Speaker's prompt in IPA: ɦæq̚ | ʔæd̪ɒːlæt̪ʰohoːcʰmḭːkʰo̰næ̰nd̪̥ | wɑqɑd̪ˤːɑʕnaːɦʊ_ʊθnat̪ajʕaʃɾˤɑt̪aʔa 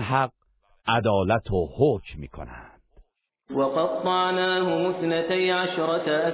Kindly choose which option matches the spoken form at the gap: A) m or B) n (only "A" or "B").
A